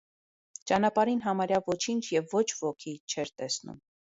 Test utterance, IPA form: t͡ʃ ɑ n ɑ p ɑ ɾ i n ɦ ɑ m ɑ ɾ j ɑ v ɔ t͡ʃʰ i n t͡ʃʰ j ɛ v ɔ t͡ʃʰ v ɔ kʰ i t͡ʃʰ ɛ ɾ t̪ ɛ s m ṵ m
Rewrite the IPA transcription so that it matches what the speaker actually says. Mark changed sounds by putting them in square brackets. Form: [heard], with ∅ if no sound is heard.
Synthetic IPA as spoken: t͡ʃ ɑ n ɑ p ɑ ɾ i n ɦ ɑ m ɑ ɾ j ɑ v ɔ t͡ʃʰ i n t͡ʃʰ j ɛ [vː] ɔ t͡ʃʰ v ɔ kʰ i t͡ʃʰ ɛ ɾ t̪ ɛ s [n] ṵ m